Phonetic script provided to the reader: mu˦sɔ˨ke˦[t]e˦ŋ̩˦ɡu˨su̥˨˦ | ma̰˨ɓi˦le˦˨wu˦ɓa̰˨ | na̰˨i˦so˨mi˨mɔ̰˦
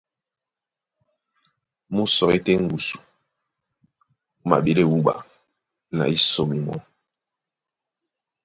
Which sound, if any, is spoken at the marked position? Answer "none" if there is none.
t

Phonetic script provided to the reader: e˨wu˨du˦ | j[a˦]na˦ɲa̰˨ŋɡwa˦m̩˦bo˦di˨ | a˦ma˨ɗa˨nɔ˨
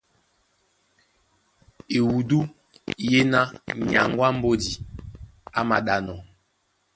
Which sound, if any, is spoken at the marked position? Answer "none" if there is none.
e˦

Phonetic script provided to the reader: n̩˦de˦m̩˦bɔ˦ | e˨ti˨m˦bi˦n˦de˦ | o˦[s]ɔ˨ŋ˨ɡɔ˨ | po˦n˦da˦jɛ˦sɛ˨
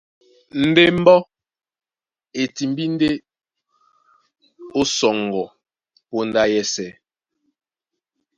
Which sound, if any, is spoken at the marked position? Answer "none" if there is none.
s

